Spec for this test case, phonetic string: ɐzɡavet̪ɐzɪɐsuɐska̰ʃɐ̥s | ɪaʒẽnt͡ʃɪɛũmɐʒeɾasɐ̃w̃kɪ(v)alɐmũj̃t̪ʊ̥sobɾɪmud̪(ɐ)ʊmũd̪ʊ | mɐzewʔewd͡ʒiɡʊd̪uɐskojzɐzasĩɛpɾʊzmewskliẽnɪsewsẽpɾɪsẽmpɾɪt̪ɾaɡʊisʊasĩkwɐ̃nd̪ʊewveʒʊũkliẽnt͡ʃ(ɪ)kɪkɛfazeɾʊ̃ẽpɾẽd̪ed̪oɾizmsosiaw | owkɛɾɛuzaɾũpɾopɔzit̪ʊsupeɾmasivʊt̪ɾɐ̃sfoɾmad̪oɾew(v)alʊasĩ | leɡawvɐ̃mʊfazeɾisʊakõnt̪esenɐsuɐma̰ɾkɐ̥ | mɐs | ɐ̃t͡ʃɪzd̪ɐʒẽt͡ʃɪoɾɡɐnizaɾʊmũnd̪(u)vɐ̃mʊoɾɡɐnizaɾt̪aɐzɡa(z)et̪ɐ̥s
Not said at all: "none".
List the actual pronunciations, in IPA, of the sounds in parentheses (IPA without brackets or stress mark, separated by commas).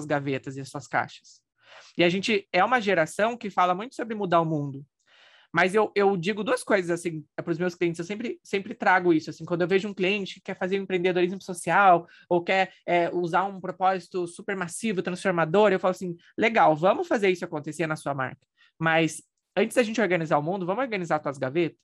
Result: f, a, ɪ, f, ʊ, v